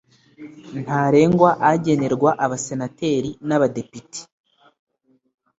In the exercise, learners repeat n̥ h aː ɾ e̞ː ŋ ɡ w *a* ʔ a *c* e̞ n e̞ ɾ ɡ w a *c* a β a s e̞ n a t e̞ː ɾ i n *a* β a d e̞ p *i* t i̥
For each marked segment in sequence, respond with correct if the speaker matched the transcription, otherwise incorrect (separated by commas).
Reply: correct, incorrect, incorrect, correct, correct